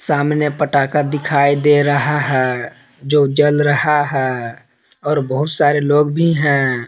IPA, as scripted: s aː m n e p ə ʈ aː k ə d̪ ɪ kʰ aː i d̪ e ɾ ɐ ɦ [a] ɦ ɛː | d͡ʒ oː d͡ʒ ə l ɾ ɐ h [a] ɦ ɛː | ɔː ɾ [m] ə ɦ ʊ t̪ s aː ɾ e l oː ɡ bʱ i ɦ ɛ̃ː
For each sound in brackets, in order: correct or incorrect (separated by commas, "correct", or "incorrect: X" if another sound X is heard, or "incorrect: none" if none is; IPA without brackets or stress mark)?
correct, correct, incorrect: b